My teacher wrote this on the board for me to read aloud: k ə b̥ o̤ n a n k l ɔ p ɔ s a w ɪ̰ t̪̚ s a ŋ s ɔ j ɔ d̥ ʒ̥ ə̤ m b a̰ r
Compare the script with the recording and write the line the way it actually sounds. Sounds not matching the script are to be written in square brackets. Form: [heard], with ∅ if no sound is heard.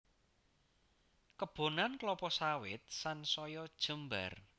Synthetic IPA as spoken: k ə b̥ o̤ n a n k l ɔ p ɔ s a w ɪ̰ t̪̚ s a [n] s ɔ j ɔ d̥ ʒ̥ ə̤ m b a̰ r